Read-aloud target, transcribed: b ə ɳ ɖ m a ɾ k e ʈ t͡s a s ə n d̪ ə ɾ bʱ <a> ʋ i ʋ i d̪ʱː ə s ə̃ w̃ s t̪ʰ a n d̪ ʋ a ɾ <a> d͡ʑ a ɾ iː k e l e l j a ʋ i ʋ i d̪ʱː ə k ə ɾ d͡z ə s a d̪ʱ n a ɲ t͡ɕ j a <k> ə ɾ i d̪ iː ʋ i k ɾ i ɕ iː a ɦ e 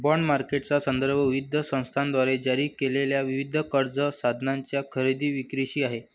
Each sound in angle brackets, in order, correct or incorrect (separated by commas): incorrect, incorrect, incorrect